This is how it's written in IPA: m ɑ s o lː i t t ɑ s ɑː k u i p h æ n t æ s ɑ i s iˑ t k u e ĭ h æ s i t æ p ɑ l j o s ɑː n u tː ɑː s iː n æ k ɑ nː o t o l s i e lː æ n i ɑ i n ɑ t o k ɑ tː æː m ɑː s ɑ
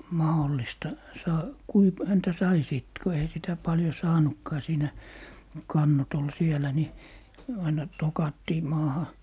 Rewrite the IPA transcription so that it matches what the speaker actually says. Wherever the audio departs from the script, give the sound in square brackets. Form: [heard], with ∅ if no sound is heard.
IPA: m ɑ [h] o lː i [s] t ɑ s ɑː k u i p h æ n t æ s ɑ i s iˑ t k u e ĭ h æ s i t æ p ɑ l j o s ɑː n u [kː] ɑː s iː n æ k ɑ nː o t o l s i e [l] æ n i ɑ i n ɑ t o k ɑ tː [iː] m ɑː [h] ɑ